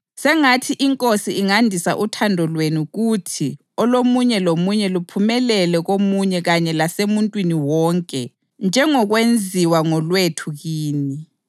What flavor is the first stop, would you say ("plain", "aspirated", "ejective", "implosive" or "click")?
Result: aspirated